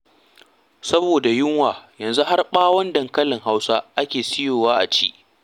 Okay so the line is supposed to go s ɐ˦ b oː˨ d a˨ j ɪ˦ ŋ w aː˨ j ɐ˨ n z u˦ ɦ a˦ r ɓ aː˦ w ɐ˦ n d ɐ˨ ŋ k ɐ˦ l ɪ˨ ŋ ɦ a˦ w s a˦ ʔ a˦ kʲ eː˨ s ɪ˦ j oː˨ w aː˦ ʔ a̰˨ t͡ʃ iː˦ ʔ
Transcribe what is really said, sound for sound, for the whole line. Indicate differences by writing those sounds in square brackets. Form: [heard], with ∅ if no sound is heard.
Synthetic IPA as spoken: s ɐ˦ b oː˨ d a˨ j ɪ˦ ŋ w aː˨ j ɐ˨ n z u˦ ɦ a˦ r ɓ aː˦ w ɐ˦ n d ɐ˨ ŋ k ɐ˦ l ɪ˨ ŋ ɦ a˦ w s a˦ ʔ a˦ kʲ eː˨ s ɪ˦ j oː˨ w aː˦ ʔ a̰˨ t͡ʃ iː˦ ʔ